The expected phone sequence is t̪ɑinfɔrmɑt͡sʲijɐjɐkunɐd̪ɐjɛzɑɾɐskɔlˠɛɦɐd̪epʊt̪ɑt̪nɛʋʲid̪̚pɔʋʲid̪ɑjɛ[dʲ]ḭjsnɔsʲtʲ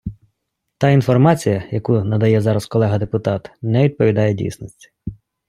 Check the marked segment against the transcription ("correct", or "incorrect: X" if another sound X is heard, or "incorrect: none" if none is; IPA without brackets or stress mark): correct